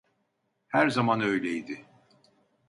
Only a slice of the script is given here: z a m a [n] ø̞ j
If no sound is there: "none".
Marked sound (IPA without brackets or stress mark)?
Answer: n